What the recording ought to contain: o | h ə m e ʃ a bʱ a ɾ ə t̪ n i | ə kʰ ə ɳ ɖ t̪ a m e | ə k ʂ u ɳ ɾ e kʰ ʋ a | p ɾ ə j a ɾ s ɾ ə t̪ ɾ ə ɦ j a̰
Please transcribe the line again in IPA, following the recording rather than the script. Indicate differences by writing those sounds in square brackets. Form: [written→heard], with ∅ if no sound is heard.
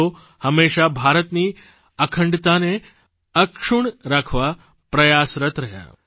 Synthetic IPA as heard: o | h ə m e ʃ a bʱ a ɾ ə t̪ n i | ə kʰ ə ɳ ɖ t̪ a [m→n] e | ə k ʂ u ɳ ɾ [e→a] kʰ ʋ a | p ɾ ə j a [ɾ→∅] s ɾ ə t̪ ɾ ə ɦ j a̰